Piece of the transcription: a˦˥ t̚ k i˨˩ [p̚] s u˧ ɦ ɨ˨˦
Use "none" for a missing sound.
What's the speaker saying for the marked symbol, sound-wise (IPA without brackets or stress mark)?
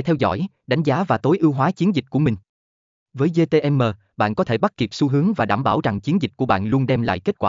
p̚